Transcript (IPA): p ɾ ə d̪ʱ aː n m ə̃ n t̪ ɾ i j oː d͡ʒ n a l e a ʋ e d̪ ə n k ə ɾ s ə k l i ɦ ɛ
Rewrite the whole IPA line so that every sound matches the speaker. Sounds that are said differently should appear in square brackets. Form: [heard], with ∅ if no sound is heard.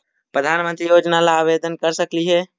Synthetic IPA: p ɾ ə d̪ʱ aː n m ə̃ n t̪ ɾ i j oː d͡ʒ n a l [a] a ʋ e d̪ ə n k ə ɾ s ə k l i ɦ ɛ